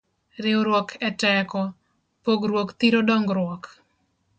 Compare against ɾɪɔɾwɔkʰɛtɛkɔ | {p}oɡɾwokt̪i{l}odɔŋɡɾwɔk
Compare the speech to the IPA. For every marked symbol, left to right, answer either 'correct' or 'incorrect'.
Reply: correct, incorrect

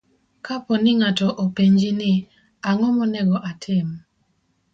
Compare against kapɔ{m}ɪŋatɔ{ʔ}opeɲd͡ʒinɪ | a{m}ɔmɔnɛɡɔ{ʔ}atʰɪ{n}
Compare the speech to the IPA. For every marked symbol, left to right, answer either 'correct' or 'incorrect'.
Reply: incorrect, correct, incorrect, correct, incorrect

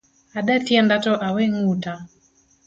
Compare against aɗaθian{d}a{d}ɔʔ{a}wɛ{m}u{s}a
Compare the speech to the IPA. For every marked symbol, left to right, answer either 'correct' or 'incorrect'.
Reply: correct, incorrect, correct, incorrect, incorrect

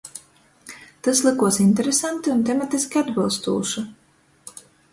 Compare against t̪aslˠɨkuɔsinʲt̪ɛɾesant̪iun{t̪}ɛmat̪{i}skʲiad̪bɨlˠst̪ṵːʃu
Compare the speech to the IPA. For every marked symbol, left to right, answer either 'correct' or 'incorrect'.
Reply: correct, correct

